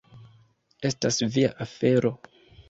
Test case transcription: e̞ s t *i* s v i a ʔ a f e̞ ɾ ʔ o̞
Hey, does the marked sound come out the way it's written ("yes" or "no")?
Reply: no